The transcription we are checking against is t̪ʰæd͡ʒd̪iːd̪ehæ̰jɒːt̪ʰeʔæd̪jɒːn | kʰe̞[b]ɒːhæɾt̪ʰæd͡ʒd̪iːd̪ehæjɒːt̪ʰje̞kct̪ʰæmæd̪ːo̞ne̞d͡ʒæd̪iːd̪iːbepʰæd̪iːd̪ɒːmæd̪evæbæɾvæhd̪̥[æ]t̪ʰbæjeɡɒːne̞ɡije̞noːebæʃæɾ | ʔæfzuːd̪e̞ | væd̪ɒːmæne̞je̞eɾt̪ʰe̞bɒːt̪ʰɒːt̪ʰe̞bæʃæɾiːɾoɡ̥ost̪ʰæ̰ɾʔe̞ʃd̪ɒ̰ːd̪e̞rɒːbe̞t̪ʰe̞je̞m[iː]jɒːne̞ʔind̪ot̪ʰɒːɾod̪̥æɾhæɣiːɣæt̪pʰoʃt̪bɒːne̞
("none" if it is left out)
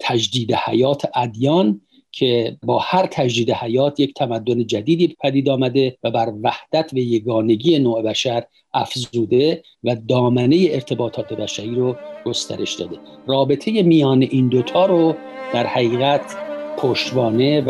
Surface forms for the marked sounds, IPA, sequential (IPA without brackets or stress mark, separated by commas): b, æ, i